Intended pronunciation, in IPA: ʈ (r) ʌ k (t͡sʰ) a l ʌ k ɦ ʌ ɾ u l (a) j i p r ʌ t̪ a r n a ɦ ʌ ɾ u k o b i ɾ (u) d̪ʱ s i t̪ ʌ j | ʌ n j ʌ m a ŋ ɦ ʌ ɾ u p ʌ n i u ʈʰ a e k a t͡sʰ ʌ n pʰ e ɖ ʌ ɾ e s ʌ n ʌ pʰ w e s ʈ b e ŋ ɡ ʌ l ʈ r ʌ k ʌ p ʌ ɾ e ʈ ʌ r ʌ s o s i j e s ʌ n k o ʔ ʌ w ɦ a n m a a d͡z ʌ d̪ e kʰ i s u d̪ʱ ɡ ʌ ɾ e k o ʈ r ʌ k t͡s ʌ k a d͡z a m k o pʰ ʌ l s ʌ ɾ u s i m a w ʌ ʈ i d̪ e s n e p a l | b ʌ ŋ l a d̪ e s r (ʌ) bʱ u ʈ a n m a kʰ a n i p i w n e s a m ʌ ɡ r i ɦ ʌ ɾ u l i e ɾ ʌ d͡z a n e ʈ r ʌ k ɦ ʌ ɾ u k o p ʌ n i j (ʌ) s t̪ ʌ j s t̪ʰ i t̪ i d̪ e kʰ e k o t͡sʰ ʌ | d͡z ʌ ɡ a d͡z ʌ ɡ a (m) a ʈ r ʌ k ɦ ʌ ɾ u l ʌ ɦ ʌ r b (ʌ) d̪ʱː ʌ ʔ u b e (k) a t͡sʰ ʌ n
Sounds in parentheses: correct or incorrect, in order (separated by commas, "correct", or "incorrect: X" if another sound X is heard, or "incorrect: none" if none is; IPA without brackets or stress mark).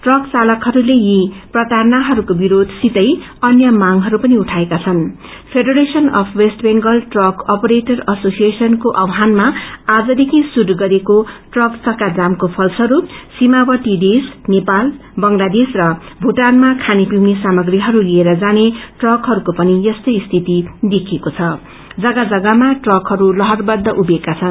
correct, incorrect: t͡s, incorrect: e, incorrect: o, correct, correct, correct, correct, correct